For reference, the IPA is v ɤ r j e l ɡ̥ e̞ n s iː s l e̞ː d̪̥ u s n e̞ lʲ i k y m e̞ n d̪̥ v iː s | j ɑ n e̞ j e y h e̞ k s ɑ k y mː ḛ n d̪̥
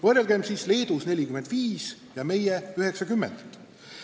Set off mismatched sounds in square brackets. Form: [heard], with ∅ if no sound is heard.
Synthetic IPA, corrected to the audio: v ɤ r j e l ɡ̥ e̞ [m] s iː s l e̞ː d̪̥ u s n e̞ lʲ i k y m e̞ n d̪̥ v iː s | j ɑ [m] e̞ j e y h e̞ k s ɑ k y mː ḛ n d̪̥